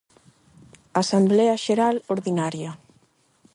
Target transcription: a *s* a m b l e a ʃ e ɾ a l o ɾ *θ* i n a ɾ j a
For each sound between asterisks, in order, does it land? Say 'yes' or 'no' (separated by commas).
yes, no